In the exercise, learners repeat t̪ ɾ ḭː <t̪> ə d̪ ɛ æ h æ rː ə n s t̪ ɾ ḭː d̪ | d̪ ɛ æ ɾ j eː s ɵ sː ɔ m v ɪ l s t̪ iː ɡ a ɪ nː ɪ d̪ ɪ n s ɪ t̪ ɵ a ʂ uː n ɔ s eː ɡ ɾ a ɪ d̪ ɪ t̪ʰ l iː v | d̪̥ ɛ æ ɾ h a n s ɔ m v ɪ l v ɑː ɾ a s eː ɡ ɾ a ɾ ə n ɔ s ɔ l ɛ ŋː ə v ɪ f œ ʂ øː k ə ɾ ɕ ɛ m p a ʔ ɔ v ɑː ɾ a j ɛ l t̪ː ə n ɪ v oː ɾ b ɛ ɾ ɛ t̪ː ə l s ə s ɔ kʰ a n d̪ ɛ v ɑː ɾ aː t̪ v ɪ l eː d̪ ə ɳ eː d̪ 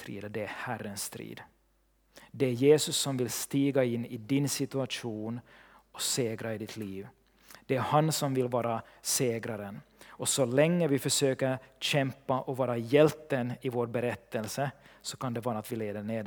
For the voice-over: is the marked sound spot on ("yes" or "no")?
no